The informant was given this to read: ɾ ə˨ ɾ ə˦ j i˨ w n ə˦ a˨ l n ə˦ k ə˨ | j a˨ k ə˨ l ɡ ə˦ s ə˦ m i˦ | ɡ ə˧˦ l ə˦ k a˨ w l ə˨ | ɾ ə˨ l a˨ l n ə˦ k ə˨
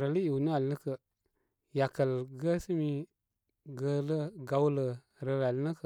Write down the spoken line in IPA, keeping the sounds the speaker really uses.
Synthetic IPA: ɾ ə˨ l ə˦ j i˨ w n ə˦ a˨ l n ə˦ k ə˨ | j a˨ k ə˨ l ɡ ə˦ s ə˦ m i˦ | ɡ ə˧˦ l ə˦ ɡ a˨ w l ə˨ | ɾ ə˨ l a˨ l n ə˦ k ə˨